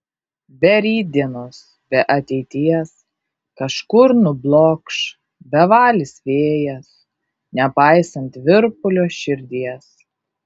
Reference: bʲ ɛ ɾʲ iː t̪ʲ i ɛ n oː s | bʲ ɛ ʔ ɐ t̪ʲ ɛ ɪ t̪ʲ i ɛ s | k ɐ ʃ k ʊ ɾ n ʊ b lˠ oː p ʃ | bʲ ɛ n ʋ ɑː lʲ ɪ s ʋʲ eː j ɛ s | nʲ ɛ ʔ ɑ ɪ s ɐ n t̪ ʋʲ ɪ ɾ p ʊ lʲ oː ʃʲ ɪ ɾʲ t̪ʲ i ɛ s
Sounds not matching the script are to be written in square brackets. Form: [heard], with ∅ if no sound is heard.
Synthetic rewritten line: bʲ ɛ ɾʲ iː [d̪ʲ] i ɛ n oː s | bʲ ɛ ʔ ɐ t̪ʲ ɛ ɪ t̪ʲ i ɛ s | k ɐ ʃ k ʊ ɾ n ʊ b lˠ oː [k] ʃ | bʲ ɛ [∅] ʋ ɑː lʲ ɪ s ʋʲ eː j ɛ s | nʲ ɛ [p] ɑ ɪ s ɐ n t̪ ʋʲ ɪ ɾ p ʊ lʲ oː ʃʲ ɪ ɾʲ [d̪ʲ] i ɛ s